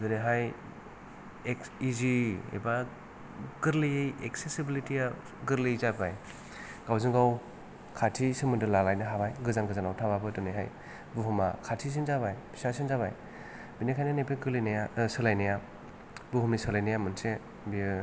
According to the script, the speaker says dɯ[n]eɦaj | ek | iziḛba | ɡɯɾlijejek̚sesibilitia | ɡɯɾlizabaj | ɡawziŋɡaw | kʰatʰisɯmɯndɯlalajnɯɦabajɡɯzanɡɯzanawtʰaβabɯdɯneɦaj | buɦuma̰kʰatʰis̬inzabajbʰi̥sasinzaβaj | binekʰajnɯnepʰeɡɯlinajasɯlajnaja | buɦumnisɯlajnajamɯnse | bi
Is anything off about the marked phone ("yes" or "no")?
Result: no